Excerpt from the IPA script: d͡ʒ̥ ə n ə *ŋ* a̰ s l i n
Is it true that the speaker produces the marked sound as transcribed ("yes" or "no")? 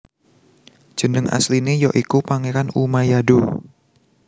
yes